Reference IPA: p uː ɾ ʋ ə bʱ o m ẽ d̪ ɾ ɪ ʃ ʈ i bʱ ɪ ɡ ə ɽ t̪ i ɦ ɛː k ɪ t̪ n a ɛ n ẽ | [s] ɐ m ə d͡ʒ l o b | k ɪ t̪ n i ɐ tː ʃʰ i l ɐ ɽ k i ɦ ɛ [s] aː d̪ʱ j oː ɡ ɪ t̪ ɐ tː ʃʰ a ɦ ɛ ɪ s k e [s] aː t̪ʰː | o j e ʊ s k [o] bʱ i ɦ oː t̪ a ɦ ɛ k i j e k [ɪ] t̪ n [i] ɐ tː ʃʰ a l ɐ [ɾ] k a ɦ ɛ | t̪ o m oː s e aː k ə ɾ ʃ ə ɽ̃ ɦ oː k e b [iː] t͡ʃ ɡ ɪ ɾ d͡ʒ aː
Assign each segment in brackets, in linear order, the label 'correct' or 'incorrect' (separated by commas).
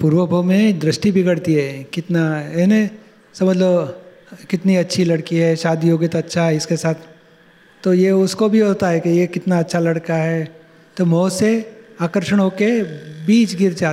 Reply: correct, incorrect, correct, correct, correct, incorrect, incorrect, correct